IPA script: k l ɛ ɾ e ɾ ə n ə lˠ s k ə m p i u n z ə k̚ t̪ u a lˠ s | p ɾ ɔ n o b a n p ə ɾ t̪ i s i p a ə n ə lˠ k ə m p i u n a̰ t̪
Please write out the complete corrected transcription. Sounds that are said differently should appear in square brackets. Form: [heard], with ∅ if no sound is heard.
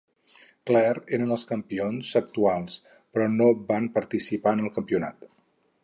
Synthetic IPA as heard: k l ɛ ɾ e ɾ ə n ə lˠ s k ə m p i [o] n z ə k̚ t̪ u a lˠ s | p ɾ ɔ n o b a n p ə ɾ t̪ i s i p a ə n ə lˠ k ə m p i u n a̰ t̪

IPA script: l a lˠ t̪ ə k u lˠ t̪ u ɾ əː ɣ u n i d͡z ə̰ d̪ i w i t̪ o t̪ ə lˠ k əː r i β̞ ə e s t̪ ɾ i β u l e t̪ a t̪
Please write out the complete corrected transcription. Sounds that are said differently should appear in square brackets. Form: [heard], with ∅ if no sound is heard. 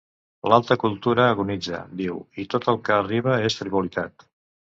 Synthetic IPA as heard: l a lˠ t̪ ə k u lˠ t̪ u ɾ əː ɣ u n i d͡z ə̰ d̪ i w i t̪ o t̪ ə lˠ k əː r i β̞ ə e s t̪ ɾ i β u l [i] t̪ a t̪

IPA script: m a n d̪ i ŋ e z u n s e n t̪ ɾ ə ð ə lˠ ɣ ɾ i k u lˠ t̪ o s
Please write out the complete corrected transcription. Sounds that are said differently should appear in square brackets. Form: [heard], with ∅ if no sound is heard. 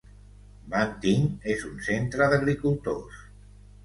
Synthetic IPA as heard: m a n [t̪] i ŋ e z u n s e n t̪ ɾ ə ð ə [∅] ɣ ɾ i k u lˠ t̪ o s

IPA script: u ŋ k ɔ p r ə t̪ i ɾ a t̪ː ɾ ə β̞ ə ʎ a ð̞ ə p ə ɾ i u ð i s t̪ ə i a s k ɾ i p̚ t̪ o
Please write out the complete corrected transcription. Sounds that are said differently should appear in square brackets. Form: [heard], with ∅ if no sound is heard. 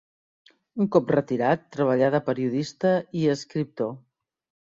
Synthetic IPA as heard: u ŋ k ɔ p r ə t̪ i ɾ a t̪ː ɾ ə β̞ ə ʎ a ð̞ ə p ə ɾ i u ð i s t̪ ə i [ə] s k ɾ i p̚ t̪ o

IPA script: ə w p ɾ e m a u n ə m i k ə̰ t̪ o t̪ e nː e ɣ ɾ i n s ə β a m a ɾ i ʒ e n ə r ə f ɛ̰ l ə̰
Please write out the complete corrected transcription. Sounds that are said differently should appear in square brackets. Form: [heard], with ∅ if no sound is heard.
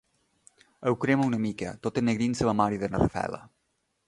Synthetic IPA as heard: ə w [k] ɾ e m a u n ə m i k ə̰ t̪ o t̪ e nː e ɣ ɾ i n s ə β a m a ɾ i [ð] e n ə r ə f ɛ̰ l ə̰

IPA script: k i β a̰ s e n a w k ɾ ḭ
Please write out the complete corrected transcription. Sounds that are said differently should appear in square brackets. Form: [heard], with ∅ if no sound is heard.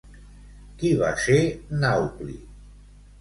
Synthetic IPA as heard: k i β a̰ s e n a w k [l] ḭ

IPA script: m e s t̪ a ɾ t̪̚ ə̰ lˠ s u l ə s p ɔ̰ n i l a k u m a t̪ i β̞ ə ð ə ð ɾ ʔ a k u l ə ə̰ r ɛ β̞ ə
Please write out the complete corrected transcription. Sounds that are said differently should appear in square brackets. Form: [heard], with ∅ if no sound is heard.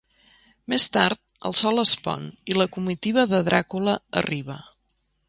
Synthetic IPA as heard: m e s t̪ a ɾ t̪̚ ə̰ lˠ s [ɔ] l ə s p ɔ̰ n i l [ə] k u m [i] t̪ i β̞ ə ð ə ð ɾ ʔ a k u l ə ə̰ r [i] β̞ ə

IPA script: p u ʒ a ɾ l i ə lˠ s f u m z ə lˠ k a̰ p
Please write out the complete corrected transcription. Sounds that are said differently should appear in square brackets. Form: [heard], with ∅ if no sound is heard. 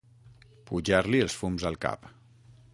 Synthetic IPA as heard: p u ʒ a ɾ l i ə lˠ s f u m z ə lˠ k a̰ p

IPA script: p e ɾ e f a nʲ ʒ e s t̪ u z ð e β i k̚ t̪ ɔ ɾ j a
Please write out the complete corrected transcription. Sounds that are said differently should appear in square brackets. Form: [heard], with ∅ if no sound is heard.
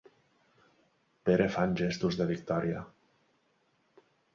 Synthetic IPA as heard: p e ɾ e f a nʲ ʒ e s t̪ u z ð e β i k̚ t̪ ɔ ɾ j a

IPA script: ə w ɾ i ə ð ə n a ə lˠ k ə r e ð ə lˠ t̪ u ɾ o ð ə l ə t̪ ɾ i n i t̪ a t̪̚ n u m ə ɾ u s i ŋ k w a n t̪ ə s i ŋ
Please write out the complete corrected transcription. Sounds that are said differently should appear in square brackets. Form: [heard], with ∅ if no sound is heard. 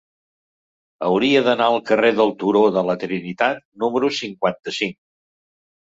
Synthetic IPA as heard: ə w ɾ i ə ð ə n a ə lˠ k ə r e ð ə lˠ t̪ u ɾ o ð ə l ə t̪ ɾ i n i t̪ a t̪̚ n u m ə ɾ u s i ŋ k w a n t̪ ə s i ŋ

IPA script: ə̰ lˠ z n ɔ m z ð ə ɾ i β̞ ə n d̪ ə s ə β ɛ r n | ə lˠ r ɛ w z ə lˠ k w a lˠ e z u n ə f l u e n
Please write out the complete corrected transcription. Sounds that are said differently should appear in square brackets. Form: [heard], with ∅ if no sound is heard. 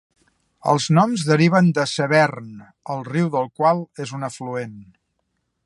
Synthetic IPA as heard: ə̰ lˠ z n ɔ m z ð ə ɾ i β̞ ə n d̪ ə s ə β ɛ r n | ə lˠ r [i] w [ð] ə lˠ k w a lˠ e z u n ə f l u e n

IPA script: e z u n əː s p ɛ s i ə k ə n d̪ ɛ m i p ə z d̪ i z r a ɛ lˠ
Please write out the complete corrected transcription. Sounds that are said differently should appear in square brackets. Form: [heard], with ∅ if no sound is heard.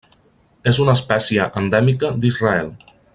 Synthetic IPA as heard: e z u n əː s p ɛ s i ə [ʔ] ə n d̪ ɛ m i [k] ə [∅] d̪ i z r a ɛ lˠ

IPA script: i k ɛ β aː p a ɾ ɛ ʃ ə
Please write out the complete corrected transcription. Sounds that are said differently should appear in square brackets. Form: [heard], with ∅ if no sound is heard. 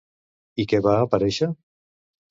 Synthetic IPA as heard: i k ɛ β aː p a ɾ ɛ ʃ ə

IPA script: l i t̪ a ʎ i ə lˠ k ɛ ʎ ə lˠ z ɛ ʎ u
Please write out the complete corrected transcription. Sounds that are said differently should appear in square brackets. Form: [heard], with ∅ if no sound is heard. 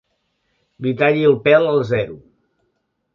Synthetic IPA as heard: l i t̪ a ʎ i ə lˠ [p] ɛ [l] ə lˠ z ɛ [ɾ] u

